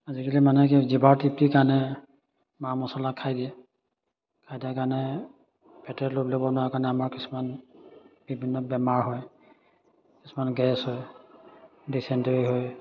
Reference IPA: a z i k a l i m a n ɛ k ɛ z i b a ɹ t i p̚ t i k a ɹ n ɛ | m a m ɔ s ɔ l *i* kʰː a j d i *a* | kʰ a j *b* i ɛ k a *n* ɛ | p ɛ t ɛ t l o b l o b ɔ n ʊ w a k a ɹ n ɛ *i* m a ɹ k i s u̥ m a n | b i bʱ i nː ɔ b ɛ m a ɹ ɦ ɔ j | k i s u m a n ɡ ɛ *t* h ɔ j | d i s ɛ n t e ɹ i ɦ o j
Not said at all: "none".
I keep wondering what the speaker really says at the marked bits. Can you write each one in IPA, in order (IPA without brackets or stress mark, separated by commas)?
a, ɛ, d, n, a, s